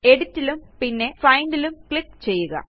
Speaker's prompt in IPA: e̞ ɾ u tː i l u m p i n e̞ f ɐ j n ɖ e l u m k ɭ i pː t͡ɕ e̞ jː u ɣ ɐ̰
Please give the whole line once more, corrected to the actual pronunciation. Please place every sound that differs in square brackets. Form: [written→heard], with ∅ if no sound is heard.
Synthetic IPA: e̞ [ɾ→ɽ] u tː i l u m p i [n→nː] e̞ f ɐ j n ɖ [e→i] l u m k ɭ i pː t͡ɕ e̞ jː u ɣ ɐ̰

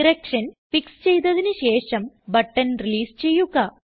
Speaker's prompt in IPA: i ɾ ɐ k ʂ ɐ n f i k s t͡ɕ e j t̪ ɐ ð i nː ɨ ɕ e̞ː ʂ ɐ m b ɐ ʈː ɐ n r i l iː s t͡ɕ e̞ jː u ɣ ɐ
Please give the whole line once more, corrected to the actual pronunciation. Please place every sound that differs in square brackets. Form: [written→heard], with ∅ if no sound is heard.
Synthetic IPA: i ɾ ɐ k ʂ ɐ n f i k s t͡ɕ e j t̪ ɐ ð i [nː→n] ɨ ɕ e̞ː ʂ ɐ m b ɐ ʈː ɐ n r i l iː s t͡ɕ e̞ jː u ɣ ɐ

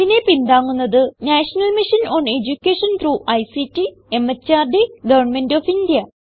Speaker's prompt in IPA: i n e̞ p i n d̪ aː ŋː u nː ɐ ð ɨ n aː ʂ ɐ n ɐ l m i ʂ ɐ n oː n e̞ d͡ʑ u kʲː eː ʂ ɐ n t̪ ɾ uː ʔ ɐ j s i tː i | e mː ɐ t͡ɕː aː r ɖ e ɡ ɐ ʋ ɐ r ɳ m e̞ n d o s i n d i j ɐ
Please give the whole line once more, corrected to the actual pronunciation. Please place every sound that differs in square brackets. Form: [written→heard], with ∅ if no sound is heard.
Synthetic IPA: i n e̞ p i n d̪ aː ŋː u nː ɐ ð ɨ n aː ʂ ɐ n ɐ l m i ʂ ɐ n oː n e̞ d͡ʑ u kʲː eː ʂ ɐ n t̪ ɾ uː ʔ ɐ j s i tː i | e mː ɐ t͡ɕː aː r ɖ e ɡ ɐ ʋ ɐ r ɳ m e̞ n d o [s→f] i n d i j ɐ

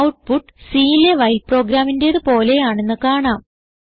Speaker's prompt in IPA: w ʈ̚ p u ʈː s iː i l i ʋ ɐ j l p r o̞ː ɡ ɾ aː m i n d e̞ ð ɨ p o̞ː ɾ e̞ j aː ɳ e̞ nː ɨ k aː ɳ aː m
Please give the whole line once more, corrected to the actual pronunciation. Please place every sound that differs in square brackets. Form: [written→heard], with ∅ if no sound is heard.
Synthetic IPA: w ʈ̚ p u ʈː s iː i l [i→e] ʋ ɐ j l p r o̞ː ɡ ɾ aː m i n d e̞ ð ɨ p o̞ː [ɾ→l] e̞ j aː ɳ e̞ nː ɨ k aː ɳ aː m

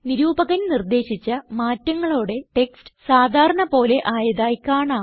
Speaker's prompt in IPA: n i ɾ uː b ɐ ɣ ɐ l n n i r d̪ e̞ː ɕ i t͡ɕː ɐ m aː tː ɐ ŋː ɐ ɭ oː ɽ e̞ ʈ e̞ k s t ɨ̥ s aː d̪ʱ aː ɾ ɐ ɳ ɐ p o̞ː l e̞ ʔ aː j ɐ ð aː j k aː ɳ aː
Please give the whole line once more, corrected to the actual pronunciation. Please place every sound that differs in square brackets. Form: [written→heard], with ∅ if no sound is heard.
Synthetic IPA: n i ɾ uː b ɐ ɣ ɐ [l→∅] n n i r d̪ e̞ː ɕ i t͡ɕː ɐ m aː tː ɐ ŋː ɐ ɭ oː ɽ e̞ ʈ e̞ k s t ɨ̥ s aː d̪ʱ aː ɾ ɐ ɳ ɐ p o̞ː l e̞ ʔ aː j ɐ ð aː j k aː ɳ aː

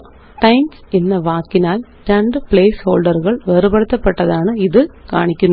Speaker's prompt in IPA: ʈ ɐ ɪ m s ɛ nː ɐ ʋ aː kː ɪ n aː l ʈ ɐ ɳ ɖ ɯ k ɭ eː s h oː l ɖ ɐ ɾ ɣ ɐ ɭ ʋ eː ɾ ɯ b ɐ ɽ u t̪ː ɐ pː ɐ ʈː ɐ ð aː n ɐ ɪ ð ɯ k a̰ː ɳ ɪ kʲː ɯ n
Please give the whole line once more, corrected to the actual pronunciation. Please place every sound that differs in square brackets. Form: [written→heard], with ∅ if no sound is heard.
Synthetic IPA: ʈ ɐ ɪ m s ɛ nː ɐ ʋ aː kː ɪ n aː l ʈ ɐ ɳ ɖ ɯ [k→p] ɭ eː s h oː l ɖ ɐ ɾ ɣ ɐ ɭ ʋ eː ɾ ɯ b ɐ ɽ [u→ɯ] t̪ː ɐ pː ɐ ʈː ɐ ð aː n ɐ ɪ ð ɯ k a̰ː ɳ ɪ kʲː ɯ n

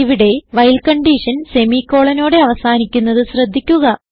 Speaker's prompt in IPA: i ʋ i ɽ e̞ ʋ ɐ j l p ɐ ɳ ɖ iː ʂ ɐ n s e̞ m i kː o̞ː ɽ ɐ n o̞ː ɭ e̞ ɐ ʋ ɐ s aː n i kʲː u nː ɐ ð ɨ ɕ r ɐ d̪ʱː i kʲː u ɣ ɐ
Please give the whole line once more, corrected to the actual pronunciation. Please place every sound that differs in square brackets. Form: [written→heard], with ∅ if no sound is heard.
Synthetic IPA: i ʋ i ɽ e̞ ʋ ɐ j l [p→k] ɐ ɳ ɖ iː ʂ ɐ n s e̞ m i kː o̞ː [ɽ→ɭ] ɐ n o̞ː [ɭ→ɽ] e̞ ɐ ʋ ɐ s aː n i kʲː u nː ɐ ð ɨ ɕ r ɐ d̪ʱː i kʲː u ɣ ɐ

